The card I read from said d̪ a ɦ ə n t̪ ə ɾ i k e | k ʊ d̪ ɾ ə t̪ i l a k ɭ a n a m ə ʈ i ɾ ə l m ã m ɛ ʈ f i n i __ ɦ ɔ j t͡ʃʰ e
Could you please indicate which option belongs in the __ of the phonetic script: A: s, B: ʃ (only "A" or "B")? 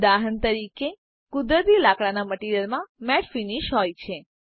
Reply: B